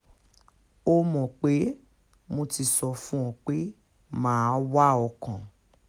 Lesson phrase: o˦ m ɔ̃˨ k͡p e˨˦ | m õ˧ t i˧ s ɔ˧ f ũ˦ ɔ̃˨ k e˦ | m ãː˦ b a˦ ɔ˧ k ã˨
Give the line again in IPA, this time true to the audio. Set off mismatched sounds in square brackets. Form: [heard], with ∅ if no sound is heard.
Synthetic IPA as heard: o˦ m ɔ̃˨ k͡p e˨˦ | m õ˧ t i˧ s ɔ˧ f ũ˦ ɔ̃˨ [k͡p] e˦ | m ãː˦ [w] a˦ ɔ˧ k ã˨